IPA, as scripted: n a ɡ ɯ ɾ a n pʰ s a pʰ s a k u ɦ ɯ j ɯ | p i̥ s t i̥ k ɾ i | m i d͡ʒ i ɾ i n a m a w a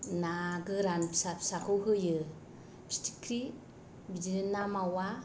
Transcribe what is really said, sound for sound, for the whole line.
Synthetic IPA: n a ɡ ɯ ɾ a n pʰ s a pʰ s a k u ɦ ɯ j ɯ | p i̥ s t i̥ k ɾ i | b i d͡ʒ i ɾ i n a m a w a